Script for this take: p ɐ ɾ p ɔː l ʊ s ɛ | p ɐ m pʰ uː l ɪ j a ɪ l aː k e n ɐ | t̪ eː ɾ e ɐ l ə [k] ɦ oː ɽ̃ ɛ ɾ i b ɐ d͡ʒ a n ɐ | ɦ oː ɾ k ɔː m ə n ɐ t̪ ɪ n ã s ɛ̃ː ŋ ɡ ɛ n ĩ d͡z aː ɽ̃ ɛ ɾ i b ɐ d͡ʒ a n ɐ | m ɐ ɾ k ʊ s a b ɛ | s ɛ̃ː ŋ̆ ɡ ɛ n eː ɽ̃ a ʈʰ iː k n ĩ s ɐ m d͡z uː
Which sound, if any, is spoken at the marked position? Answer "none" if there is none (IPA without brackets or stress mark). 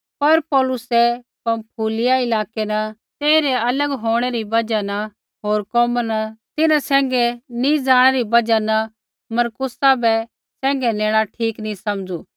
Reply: ɡ